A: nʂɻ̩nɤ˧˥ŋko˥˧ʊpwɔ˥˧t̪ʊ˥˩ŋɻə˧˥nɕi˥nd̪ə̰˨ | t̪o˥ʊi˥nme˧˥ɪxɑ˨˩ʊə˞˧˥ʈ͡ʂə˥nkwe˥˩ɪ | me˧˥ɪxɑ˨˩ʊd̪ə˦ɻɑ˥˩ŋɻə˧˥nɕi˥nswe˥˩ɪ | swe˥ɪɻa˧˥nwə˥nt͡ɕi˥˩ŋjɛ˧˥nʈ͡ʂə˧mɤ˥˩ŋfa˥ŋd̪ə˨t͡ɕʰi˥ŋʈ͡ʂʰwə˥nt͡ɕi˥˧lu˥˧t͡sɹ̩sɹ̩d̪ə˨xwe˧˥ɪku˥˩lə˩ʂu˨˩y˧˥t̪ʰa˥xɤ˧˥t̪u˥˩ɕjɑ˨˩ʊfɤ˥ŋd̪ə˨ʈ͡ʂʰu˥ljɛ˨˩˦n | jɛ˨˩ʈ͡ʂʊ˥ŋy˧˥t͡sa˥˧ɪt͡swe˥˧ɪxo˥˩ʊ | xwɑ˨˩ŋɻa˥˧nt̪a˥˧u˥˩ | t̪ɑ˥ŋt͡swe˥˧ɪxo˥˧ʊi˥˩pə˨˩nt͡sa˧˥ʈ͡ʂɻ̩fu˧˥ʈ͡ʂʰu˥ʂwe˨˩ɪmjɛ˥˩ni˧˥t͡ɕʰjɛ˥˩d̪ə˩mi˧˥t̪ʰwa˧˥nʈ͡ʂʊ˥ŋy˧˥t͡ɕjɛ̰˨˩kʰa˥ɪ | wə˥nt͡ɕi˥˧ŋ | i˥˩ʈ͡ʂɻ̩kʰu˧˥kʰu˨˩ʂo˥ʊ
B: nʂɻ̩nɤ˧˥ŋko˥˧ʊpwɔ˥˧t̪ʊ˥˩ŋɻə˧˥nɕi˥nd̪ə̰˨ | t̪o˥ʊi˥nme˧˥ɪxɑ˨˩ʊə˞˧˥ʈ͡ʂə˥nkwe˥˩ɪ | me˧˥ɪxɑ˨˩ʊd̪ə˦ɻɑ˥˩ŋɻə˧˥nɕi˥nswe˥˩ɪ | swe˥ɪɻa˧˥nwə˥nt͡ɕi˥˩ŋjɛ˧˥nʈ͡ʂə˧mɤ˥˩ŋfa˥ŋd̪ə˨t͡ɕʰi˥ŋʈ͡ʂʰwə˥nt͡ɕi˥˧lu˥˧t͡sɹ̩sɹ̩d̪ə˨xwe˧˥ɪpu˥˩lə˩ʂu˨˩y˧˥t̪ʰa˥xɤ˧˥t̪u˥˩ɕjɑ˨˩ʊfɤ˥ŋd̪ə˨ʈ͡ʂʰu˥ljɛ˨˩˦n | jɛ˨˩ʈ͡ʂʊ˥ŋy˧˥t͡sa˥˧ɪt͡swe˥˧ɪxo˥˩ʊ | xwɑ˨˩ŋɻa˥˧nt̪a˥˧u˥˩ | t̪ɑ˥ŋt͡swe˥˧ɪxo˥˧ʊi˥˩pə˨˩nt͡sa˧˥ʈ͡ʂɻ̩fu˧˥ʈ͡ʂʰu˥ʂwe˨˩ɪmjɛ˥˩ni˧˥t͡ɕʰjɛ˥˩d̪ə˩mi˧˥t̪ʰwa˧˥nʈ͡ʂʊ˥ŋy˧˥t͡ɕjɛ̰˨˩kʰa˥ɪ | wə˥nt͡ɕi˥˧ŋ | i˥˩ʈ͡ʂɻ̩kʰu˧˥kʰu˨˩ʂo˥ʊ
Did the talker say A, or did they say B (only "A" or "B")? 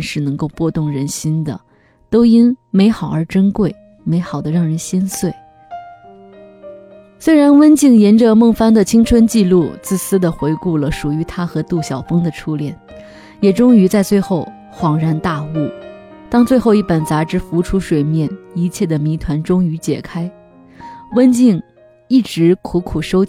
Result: A